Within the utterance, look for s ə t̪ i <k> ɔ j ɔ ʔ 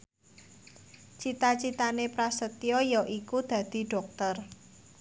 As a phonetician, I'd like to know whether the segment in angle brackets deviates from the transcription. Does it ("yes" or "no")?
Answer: yes